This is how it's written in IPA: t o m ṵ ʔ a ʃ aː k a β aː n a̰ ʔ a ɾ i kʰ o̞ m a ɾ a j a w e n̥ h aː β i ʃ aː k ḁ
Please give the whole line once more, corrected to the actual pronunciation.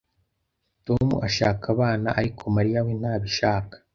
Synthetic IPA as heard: t o m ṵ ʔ a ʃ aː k a β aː n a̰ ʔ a ɾ i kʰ o̞ m a ɾ i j a w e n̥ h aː β i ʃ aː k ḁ